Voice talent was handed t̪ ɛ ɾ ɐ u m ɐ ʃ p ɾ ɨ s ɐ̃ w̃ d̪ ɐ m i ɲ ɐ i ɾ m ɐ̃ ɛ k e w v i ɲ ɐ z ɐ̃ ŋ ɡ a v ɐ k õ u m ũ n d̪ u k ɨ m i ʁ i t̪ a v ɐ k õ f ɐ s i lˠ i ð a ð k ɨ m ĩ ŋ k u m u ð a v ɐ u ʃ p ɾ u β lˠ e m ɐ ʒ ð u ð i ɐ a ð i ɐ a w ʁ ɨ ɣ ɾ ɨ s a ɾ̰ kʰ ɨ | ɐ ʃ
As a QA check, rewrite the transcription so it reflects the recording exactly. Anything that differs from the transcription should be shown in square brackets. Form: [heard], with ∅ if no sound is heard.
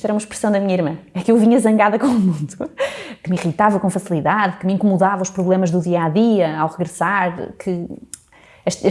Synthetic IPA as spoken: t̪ ɛ ɾ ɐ u m ɐ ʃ p ɾ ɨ s ɐ̃ w̃ d̪ ɐ m i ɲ ɐ i ɾ m ɐ̃ ɛ k e w v i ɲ ɐ z ɐ̃ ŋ ɡ a [ð] ɐ k õ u m ũ n d̪ u k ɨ m i ʁ i t̪ a v ɐ k õ f ɐ s i lˠ i ð a ð k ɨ m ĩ ŋ k u m u ð a v ɐ u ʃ p ɾ u β lˠ e m ɐ ʒ ð u ð i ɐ a ð i ɐ a w ʁ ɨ ɣ ɾ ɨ s a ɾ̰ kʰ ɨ | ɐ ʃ